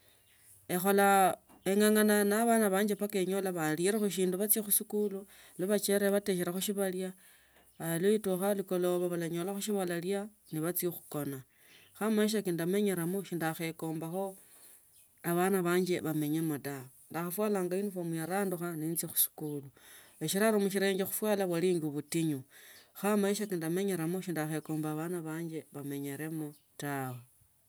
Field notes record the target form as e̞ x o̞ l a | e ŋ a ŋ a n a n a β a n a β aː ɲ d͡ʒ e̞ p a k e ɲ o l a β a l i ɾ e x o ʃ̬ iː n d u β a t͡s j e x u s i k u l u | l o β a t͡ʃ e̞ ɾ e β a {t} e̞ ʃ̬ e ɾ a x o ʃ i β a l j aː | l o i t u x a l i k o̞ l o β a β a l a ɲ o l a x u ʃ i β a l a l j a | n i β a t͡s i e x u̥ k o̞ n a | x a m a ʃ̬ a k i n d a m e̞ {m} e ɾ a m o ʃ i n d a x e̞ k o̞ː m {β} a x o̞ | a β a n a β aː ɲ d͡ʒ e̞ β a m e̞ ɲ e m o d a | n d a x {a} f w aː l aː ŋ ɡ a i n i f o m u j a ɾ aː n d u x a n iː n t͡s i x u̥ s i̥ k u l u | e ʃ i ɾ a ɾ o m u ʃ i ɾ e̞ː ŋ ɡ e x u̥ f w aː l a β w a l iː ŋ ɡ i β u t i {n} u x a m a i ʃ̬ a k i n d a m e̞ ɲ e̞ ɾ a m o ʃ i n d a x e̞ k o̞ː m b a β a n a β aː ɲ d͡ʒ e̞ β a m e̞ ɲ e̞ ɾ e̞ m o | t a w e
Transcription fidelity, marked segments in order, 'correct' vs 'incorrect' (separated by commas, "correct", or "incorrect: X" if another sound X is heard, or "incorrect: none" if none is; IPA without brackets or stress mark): correct, incorrect: ɲ, incorrect: b, correct, incorrect: ɲ